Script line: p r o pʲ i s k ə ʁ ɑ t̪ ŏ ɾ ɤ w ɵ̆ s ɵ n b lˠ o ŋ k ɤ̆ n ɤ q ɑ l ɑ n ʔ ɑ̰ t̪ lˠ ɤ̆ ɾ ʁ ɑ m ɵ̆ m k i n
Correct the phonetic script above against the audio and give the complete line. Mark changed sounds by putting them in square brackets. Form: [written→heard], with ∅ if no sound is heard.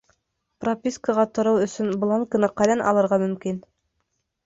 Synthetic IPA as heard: p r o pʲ i s k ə ʁ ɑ t̪ ŏ ɾ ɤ w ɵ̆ s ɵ n b lˠ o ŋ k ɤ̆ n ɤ q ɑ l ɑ n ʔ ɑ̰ [t̪→∅] lˠ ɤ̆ ɾ ʁ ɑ m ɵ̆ m k i n